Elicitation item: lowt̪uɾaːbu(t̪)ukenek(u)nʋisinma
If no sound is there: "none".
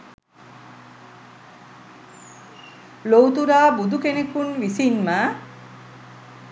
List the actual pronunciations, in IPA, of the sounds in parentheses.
d̪, u

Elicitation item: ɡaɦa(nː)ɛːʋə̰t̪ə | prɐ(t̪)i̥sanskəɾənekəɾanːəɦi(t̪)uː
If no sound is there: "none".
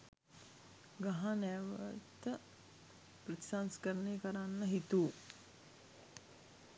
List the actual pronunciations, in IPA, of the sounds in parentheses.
n, t̪, t̪

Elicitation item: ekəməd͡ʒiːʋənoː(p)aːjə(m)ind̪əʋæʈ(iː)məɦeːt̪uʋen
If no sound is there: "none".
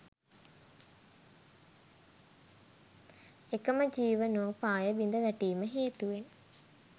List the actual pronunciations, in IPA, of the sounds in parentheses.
p, b, iː

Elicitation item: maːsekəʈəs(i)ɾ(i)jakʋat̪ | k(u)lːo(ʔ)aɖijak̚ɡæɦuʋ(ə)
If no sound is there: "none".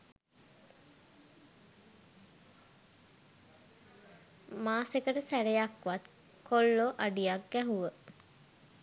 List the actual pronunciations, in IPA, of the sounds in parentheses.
æ, e, o, ʔ, ə

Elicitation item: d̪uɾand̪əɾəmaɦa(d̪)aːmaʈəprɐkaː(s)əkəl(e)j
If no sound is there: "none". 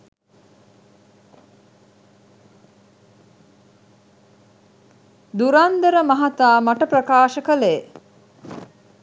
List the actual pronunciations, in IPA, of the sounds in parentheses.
t̪, ʃ, e

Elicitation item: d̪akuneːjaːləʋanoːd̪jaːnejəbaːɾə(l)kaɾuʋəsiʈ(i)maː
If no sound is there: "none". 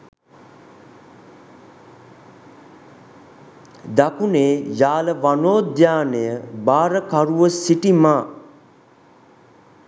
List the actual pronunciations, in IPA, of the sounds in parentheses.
none, i

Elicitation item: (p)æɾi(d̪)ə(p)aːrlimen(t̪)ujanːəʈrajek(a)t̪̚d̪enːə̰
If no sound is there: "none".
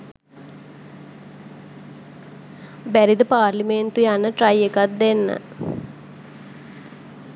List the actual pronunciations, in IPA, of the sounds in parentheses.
b, d̪, p, t̪, a

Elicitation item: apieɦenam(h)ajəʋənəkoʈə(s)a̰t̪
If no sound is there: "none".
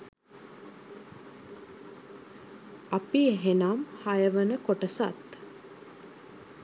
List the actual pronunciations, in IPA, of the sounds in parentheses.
h, s

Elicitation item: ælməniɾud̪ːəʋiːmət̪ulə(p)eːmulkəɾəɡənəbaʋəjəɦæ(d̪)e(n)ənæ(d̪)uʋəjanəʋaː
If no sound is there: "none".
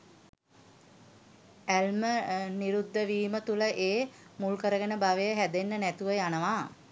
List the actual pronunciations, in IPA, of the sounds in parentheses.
ʔ, d̪, nː, t̪

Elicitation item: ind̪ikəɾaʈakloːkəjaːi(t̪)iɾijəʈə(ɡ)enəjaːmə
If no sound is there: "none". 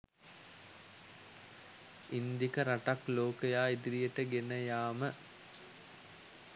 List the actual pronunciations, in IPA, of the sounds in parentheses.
d̪, ɡ

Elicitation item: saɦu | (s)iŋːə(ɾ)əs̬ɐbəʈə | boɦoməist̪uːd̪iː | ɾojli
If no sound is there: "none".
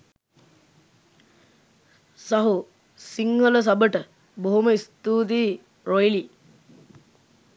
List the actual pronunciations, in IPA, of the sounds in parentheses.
s, l

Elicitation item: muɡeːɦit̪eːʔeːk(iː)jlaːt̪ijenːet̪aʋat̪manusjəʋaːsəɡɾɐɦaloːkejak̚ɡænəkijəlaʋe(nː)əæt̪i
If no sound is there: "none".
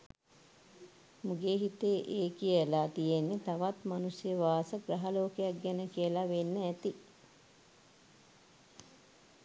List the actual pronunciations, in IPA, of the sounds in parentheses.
i, nː

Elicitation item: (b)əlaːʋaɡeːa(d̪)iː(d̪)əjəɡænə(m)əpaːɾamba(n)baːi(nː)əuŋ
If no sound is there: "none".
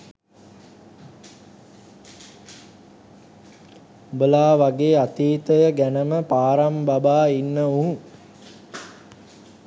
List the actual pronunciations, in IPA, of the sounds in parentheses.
b, t̪, t̪, m, none, nː

